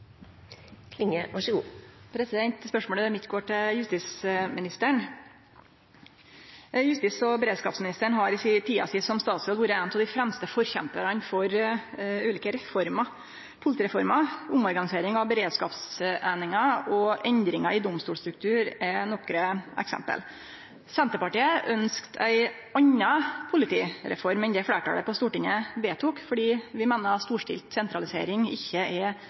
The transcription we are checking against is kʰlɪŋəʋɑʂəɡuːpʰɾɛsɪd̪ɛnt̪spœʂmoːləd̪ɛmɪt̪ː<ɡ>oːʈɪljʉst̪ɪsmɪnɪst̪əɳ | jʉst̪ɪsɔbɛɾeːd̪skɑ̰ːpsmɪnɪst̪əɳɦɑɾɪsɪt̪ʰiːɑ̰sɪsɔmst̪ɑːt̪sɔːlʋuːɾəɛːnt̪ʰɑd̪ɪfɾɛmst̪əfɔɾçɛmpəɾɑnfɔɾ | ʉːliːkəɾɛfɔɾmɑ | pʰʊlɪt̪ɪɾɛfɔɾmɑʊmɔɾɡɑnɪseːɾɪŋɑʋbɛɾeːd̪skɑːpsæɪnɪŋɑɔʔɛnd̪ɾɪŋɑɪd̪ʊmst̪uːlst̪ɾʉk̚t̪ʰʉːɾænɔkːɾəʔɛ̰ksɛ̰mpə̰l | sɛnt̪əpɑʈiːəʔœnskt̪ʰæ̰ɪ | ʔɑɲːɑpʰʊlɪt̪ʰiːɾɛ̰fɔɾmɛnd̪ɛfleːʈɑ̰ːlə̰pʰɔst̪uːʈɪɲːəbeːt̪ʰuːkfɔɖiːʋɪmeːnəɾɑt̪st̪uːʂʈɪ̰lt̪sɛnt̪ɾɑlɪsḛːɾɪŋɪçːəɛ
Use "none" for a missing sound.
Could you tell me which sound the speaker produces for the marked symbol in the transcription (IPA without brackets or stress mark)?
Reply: ɡ